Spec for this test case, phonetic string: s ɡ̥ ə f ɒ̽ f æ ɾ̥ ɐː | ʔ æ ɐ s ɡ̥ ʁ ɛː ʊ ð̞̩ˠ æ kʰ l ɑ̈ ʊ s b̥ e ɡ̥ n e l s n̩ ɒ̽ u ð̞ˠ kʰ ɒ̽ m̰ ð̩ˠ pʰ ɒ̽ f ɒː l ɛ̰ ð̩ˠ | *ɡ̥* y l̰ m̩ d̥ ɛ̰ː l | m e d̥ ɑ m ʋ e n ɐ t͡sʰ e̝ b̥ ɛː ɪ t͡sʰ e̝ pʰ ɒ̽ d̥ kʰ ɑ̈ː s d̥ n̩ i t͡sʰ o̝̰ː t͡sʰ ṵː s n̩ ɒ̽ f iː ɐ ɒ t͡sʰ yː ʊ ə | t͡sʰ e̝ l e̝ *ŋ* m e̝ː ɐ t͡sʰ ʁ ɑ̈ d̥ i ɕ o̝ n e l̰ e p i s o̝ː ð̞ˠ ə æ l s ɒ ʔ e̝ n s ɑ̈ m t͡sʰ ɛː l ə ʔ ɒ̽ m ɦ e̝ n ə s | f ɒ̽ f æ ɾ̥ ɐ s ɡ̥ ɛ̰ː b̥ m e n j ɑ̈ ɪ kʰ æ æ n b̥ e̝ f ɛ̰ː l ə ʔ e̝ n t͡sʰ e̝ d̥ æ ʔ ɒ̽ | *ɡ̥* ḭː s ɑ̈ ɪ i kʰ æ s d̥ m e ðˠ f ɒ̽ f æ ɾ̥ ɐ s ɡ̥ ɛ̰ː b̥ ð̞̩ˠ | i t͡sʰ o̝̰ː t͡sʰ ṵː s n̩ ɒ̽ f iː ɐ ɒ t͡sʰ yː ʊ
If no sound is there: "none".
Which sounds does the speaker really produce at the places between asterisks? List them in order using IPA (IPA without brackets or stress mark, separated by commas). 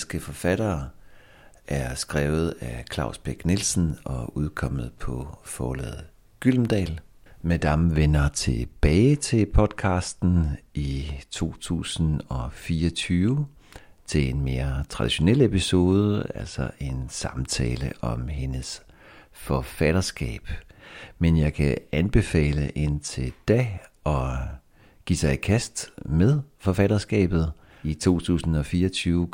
ɡ̥, n, ɡ̥